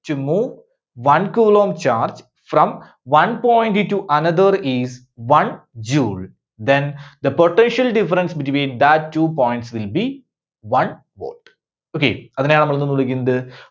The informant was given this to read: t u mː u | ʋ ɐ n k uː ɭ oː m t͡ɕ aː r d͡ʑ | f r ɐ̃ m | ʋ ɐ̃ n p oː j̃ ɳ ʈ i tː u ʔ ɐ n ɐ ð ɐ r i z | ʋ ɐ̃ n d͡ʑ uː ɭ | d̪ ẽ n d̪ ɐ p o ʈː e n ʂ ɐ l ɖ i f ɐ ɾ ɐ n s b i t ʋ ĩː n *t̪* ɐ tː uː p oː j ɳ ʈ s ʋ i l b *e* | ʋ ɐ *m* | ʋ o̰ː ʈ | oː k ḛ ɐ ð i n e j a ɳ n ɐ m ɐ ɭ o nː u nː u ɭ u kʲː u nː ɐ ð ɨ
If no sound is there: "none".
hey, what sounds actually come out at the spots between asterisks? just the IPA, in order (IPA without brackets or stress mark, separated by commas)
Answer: d̪, i, n